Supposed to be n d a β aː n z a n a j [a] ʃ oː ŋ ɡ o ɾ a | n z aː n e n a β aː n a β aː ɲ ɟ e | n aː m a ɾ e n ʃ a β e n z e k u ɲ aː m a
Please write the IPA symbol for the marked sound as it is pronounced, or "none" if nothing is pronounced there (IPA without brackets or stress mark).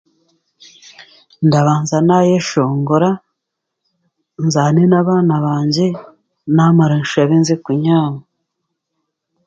e